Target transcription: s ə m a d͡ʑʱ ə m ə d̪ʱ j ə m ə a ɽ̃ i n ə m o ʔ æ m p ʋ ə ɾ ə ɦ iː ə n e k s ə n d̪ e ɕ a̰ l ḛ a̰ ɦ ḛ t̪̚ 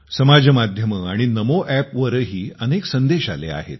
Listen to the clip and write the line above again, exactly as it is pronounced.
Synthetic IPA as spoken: s ə m a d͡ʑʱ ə m a d̪ʱ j ə m ə a ɽ̃ i n ə m o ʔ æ p ʋ ə ɾ ə ɦ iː ə n e k s ə n d̪ e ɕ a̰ l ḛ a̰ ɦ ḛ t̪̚